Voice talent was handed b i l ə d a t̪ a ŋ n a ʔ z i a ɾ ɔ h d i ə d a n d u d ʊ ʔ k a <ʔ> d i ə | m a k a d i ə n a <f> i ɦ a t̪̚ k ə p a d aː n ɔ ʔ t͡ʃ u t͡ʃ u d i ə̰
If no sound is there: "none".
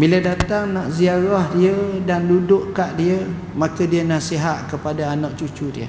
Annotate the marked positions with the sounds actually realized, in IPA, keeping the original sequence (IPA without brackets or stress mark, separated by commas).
ʔ, s